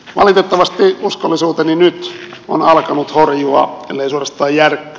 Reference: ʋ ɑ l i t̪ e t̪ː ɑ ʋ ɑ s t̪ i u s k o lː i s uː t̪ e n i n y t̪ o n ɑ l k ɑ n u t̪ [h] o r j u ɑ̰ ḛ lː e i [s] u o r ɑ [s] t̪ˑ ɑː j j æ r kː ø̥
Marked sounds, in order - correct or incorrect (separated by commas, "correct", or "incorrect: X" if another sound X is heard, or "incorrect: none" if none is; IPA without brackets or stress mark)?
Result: correct, correct, correct